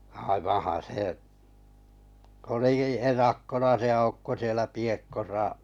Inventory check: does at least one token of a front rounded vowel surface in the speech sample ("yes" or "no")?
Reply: no